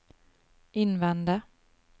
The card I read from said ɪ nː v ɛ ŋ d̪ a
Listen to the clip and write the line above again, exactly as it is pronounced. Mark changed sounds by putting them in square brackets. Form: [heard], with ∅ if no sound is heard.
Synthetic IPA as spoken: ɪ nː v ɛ [n] d̪ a